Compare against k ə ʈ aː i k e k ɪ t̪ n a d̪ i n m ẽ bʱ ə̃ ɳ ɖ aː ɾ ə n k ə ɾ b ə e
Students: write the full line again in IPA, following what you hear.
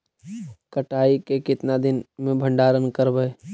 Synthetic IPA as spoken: k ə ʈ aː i k e k ɪ t̪ n a d̪ ɪ n m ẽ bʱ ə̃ ɳ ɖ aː ɾ ə n k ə ɾ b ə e